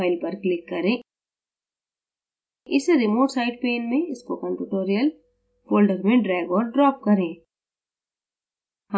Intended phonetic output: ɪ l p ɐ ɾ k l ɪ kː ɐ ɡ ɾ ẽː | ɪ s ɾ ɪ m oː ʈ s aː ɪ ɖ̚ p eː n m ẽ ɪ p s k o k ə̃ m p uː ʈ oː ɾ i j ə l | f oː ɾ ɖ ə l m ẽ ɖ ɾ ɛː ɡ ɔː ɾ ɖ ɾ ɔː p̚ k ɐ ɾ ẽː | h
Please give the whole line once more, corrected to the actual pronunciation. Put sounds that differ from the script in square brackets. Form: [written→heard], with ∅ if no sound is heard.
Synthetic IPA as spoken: ɪ l p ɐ ɾ k l ɪ kː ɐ [ɡ→∅] ɾ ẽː | ɪ s ɾ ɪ m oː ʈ s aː ɪ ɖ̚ p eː n m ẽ ɪ [p→∅] s k o k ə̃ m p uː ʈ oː ɾ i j ə l | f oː [ɾ→l] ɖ ə [l→ɾ] m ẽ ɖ ɾ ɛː ɡ ɔː ɾ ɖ ɾ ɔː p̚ k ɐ ɾ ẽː | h